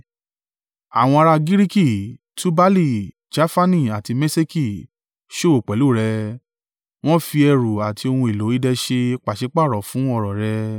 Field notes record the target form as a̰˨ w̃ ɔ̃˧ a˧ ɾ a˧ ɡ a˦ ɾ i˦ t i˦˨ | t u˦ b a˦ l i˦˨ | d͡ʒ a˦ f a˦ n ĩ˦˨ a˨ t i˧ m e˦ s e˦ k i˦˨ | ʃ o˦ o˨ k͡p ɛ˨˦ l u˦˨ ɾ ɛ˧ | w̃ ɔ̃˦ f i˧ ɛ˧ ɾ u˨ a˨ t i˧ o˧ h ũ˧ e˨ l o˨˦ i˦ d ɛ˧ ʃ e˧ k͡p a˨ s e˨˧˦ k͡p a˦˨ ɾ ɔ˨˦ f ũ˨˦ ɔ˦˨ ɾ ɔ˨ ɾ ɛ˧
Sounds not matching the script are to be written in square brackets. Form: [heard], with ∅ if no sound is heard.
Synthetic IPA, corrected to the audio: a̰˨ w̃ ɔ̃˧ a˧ ɾ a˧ ɡ [i˦] ɾ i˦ [k] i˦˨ | t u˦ b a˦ l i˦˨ | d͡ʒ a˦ f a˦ n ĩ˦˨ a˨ t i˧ m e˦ s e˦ k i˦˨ | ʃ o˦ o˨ k͡p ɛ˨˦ l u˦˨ ɾ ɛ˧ | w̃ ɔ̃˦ f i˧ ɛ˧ ɾ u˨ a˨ t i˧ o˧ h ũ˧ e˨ l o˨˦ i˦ d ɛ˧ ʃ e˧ k͡p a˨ [ʃ] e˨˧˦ k͡p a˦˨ ɾ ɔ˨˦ f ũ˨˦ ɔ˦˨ ɾ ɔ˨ ɾ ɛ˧